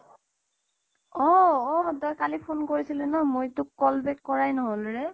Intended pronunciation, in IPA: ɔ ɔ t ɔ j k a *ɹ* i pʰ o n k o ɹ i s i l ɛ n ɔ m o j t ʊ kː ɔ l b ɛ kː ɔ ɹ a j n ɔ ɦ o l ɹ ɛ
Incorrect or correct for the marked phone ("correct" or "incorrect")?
incorrect